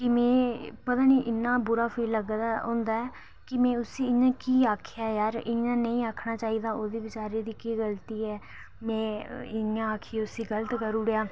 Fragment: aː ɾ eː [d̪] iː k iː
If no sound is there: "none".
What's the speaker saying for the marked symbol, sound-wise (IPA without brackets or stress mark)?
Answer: d̪